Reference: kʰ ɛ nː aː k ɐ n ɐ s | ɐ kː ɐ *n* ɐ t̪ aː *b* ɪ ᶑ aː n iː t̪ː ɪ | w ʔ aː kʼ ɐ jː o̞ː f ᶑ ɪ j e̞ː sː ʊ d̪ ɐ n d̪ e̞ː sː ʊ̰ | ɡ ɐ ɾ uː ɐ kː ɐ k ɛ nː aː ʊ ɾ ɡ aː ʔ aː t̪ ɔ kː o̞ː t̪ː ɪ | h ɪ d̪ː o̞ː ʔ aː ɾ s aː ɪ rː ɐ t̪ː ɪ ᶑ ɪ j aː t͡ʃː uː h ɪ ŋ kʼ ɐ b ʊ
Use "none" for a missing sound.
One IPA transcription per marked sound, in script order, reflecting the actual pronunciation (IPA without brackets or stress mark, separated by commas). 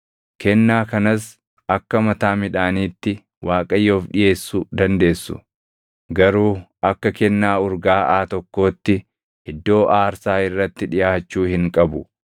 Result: m, m